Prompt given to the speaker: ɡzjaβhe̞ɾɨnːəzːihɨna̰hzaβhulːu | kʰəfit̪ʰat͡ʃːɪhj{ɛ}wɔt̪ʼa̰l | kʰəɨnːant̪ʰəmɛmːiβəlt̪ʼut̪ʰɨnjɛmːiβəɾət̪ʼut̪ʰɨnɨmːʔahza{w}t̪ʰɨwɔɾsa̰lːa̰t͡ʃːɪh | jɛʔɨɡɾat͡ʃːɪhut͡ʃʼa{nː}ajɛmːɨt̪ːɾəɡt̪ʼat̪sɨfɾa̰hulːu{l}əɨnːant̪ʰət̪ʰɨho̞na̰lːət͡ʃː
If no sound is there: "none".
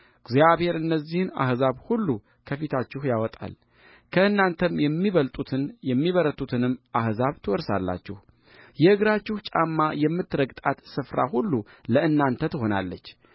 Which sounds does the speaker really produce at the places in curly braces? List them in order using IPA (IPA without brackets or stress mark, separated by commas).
a, β, mː, l